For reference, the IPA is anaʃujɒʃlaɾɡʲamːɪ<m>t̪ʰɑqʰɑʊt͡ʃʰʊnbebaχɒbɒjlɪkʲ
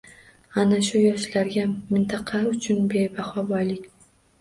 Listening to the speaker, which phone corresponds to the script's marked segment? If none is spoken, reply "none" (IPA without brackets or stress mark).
n